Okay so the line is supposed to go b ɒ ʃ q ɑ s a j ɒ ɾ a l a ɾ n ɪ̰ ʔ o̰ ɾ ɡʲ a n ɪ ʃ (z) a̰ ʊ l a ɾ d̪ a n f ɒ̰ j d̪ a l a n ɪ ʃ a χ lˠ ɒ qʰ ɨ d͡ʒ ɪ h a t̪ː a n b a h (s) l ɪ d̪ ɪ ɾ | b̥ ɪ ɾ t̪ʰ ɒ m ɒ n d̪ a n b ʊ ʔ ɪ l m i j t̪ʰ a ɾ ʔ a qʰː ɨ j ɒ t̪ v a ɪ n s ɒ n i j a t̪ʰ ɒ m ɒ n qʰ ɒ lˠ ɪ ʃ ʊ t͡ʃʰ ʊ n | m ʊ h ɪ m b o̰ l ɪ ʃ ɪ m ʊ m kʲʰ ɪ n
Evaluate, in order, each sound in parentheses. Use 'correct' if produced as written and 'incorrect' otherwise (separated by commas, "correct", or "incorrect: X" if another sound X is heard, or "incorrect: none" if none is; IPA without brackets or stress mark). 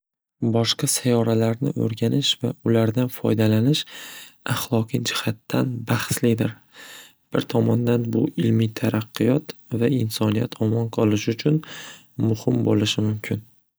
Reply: incorrect: v, correct